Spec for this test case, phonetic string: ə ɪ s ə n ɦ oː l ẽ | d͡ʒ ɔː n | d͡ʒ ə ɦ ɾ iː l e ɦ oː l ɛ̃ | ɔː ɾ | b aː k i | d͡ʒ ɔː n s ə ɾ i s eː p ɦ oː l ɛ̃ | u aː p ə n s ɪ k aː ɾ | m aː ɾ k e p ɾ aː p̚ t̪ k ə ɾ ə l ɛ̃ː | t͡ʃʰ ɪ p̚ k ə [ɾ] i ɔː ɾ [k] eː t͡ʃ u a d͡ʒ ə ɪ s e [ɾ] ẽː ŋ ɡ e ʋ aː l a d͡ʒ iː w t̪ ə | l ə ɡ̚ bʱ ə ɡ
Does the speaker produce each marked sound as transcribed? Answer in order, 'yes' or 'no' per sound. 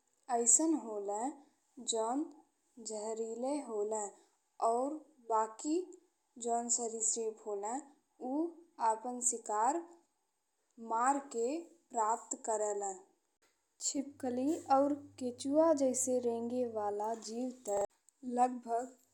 no, yes, yes

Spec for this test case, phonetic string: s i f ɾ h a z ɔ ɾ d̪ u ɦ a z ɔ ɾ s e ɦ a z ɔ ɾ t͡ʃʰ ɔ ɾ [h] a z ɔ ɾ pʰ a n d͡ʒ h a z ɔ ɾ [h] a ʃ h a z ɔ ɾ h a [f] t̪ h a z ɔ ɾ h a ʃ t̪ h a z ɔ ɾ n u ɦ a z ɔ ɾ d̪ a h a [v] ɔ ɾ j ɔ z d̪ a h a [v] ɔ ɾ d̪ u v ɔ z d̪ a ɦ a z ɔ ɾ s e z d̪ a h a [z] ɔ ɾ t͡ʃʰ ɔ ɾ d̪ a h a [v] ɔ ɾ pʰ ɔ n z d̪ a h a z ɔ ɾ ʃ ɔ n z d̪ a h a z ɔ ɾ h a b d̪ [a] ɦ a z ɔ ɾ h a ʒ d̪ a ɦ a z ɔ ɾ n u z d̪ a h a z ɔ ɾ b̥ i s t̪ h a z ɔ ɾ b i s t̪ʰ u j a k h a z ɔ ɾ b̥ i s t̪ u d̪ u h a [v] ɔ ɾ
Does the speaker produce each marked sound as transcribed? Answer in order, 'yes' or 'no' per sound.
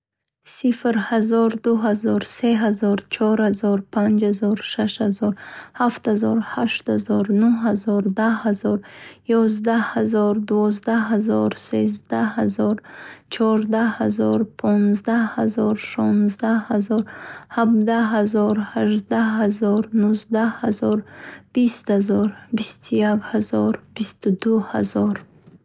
yes, no, yes, no, no, yes, no, yes, no

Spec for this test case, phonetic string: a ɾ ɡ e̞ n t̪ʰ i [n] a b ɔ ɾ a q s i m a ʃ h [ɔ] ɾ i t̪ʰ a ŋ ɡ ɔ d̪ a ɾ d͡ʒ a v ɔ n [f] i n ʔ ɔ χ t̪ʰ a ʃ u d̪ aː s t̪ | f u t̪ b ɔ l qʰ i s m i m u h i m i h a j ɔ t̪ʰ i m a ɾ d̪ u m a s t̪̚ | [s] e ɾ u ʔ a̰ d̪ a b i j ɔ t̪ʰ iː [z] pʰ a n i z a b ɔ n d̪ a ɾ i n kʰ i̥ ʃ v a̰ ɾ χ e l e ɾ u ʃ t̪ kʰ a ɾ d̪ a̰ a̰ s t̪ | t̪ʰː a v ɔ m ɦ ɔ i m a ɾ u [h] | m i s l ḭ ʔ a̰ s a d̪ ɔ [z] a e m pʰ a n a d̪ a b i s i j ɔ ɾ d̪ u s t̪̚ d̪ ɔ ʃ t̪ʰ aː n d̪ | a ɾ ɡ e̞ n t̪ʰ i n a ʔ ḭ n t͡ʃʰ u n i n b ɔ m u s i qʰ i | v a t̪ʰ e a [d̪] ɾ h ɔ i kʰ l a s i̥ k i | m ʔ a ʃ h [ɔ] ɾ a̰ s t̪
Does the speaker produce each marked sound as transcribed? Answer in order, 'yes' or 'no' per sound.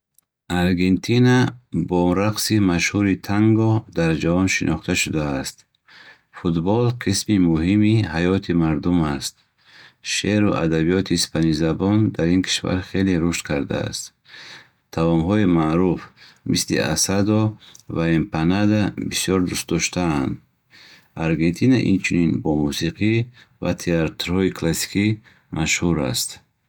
yes, no, no, no, no, no, no, no, no

